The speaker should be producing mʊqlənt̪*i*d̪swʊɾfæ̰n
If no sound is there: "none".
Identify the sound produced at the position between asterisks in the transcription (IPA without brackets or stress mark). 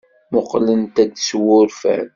æ